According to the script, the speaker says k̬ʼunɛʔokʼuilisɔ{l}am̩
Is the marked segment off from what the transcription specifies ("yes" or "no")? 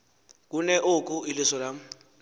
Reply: no